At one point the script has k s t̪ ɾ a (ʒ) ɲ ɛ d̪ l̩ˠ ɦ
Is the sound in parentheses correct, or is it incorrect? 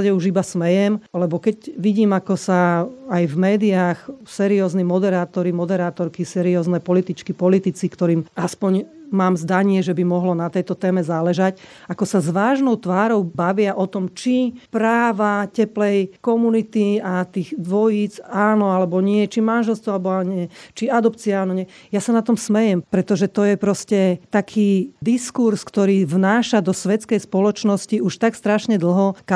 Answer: incorrect